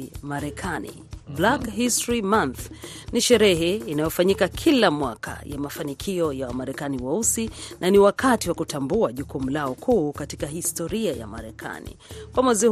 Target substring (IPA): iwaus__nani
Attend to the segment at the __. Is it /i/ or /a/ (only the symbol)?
i